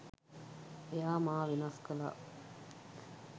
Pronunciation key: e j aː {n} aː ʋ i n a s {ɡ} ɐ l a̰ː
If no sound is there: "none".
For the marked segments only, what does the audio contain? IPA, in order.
m, k

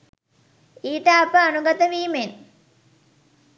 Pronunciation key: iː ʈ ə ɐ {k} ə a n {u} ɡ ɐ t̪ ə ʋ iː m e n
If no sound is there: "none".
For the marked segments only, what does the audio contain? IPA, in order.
p, u

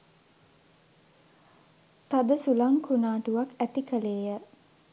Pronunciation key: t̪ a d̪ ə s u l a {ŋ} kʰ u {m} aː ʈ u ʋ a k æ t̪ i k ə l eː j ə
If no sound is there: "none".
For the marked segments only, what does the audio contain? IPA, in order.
ŋ, n

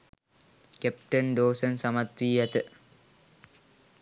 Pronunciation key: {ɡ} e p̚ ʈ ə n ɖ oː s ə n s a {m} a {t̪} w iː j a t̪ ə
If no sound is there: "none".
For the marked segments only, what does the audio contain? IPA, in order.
k, m, t̪

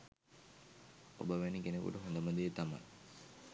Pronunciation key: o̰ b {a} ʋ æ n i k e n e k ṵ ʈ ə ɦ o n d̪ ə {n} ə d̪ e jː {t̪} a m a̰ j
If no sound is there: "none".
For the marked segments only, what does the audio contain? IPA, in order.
ə, m, t̪

